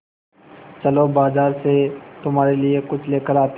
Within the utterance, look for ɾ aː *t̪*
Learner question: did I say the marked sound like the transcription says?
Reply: yes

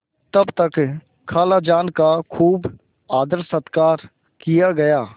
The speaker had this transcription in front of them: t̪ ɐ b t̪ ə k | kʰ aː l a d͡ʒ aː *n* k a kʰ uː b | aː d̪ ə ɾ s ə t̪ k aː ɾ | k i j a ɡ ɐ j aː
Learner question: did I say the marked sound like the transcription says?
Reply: yes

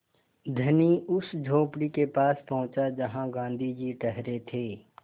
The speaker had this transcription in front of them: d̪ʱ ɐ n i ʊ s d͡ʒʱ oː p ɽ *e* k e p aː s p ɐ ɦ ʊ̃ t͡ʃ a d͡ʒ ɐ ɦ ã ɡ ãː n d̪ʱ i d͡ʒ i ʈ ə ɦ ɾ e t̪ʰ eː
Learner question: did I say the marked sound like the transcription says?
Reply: no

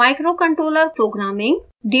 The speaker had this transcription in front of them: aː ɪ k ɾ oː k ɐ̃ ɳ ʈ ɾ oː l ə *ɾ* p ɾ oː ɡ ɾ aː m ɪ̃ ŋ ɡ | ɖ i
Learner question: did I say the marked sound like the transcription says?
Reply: yes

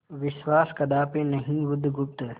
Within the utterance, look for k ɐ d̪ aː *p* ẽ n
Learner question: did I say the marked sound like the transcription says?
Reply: yes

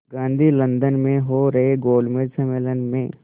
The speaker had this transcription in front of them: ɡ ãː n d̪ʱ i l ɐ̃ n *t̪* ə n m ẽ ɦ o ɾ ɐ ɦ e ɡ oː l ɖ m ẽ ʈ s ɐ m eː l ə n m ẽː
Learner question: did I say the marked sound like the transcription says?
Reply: no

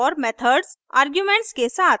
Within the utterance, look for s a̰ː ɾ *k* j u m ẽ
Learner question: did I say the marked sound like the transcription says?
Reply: no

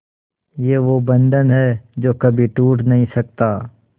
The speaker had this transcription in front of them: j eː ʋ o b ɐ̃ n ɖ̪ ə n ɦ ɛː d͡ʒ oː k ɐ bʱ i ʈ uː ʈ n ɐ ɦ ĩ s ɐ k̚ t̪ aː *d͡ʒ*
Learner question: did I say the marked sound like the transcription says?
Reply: no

